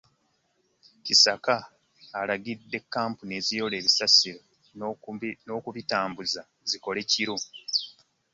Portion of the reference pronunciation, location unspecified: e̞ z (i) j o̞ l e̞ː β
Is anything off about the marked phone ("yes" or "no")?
no